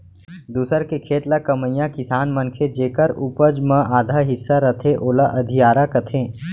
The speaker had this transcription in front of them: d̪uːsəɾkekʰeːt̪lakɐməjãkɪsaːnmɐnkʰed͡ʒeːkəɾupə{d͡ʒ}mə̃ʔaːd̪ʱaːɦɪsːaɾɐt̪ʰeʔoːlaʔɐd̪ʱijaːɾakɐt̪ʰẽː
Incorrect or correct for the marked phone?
correct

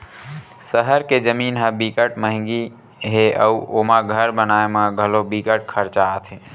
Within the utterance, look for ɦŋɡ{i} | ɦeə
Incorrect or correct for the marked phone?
correct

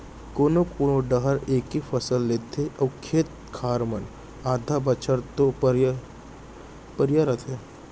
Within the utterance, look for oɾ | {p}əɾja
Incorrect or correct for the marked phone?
correct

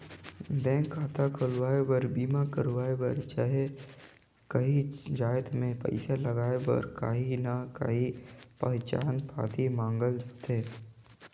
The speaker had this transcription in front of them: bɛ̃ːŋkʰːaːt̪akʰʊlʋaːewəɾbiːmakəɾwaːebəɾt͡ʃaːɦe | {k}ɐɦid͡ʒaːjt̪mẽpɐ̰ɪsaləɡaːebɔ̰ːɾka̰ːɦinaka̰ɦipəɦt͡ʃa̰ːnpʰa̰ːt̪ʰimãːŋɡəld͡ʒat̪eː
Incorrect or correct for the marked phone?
correct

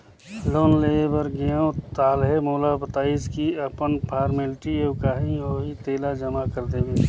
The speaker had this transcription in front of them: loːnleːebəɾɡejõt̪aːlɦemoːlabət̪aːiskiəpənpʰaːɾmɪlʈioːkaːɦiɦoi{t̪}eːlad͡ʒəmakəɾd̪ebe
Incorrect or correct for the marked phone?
correct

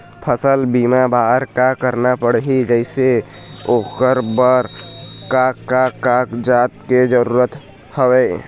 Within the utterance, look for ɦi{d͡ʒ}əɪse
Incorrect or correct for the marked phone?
correct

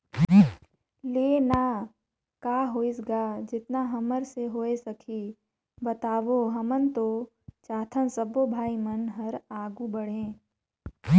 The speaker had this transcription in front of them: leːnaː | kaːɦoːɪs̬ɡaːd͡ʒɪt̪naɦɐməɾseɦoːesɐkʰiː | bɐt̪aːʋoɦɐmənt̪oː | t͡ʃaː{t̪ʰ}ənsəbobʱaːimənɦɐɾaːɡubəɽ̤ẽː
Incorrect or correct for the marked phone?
correct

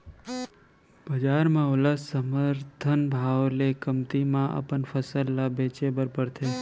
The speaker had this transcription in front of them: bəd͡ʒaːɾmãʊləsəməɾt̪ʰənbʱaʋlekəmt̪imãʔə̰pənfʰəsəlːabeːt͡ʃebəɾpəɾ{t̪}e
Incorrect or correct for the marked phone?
incorrect: t̪ʰ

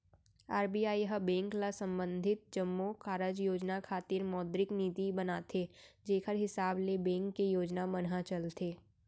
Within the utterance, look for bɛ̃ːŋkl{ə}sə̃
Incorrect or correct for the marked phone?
incorrect: a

